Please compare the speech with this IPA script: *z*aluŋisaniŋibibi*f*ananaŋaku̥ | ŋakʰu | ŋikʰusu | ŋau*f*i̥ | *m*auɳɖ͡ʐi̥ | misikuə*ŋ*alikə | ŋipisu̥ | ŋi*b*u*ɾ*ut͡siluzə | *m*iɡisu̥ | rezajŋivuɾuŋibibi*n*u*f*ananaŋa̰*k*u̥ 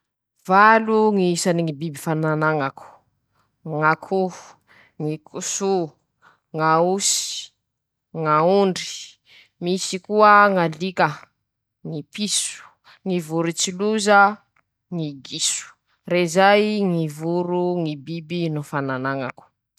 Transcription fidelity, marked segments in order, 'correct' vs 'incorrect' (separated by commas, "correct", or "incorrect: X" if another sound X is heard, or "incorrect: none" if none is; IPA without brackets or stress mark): incorrect: v, correct, incorrect: s, incorrect: ŋ, correct, incorrect: v, correct, incorrect: ŋ, correct, correct, correct